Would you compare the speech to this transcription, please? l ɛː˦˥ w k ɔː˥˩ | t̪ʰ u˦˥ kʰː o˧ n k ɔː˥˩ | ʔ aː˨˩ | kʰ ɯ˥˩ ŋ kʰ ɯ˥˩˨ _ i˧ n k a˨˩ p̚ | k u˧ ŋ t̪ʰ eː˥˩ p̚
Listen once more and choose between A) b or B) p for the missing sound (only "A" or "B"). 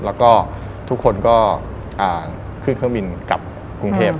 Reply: A